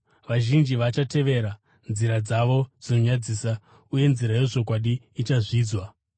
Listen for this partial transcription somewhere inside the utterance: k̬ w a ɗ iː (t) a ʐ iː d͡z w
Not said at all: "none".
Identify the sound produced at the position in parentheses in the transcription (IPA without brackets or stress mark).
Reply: t͡ʃ